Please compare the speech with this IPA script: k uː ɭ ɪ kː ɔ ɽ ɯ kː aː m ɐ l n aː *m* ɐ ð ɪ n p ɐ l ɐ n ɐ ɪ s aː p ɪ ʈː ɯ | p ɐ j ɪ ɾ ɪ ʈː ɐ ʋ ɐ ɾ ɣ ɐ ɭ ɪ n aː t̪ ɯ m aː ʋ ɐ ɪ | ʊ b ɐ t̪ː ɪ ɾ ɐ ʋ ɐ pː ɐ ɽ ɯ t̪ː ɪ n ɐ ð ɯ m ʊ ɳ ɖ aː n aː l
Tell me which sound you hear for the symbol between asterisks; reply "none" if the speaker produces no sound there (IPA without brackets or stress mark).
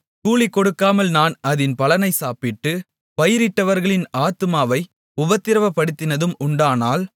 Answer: n